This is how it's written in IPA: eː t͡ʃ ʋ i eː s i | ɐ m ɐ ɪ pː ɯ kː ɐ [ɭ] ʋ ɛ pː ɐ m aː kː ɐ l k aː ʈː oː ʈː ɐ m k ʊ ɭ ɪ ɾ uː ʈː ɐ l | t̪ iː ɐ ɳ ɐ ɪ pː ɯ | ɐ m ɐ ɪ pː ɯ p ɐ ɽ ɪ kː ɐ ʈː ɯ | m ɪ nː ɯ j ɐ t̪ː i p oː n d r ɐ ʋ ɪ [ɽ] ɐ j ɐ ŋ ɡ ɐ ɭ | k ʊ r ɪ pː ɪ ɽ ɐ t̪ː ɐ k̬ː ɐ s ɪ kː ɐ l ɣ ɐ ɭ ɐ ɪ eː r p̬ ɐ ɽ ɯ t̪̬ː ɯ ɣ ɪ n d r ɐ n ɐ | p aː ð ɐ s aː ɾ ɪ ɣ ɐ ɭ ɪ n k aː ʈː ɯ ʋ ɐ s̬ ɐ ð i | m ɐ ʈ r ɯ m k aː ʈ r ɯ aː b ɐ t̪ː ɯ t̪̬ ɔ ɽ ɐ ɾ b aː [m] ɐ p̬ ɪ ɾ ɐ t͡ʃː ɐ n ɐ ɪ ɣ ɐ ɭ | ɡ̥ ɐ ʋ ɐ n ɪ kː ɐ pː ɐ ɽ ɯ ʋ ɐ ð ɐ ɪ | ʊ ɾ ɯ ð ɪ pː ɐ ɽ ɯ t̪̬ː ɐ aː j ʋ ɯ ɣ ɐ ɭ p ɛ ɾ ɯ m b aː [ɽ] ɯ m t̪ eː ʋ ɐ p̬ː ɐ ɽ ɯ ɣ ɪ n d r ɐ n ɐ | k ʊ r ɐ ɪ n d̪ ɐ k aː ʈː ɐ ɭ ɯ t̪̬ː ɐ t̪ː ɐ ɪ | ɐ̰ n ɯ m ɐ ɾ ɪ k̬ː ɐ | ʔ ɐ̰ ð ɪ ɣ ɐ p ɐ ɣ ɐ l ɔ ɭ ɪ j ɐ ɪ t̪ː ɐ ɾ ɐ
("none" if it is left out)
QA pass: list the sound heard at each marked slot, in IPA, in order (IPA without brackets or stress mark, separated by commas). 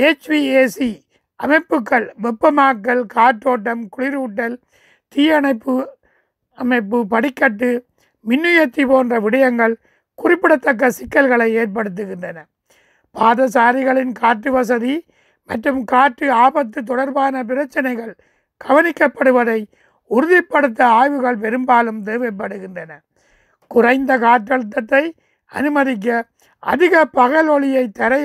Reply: ɭ, ɽ, n, l